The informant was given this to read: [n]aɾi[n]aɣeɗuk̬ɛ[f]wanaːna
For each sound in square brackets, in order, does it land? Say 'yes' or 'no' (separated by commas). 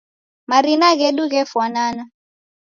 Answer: no, yes, yes